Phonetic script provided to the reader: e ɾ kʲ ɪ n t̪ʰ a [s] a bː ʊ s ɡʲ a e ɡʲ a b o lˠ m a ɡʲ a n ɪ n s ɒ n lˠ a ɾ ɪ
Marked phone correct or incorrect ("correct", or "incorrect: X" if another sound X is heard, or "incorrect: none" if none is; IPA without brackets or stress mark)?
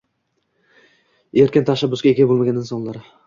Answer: incorrect: ʃ